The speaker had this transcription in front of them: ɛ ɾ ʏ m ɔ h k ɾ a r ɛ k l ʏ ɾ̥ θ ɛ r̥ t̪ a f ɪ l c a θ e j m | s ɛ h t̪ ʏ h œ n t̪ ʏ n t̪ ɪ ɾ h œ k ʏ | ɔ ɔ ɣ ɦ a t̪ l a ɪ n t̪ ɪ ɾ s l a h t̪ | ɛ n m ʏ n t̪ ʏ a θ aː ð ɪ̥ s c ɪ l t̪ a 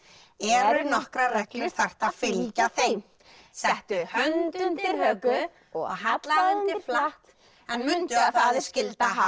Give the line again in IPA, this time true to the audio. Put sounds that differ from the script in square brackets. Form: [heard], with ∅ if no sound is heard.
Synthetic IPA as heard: ɛ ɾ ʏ [n] ɔ h k ɾ a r ɛ k l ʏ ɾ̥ θ ɛ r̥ t̪ a f ɪ l c a θ e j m | s ɛ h t̪ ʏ h œ n t̪ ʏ n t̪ ɪ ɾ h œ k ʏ | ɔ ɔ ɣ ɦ a t̪ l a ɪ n t̪ ɪ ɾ [f] l a h t̪ | ɛ n m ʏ n t̪ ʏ a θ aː ð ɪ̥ s c ɪ l t̪ a